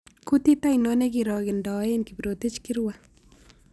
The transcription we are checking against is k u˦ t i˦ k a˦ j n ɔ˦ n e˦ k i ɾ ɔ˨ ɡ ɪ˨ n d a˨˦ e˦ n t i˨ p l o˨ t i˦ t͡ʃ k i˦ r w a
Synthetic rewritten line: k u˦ t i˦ t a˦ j n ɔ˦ n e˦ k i ɾ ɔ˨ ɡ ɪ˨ n d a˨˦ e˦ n k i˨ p ɾ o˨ t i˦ t͡ʃ k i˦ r w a